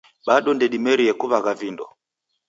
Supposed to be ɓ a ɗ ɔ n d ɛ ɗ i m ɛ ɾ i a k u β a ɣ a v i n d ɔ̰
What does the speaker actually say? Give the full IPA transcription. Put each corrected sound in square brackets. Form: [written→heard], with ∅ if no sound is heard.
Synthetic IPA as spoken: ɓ a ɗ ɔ n d ɛ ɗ i m ɛ ɾ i [a→ɛ] k u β a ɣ a v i n d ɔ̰